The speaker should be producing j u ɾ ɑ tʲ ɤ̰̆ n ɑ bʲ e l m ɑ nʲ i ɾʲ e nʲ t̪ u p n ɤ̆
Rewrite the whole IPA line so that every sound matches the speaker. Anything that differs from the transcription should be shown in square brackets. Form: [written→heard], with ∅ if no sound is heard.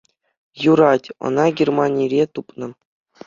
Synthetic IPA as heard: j u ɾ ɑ tʲ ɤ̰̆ n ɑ [bʲ→ɡʲ] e [l→r] m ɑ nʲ i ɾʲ e [nʲ→∅] t̪ u p n ɤ̆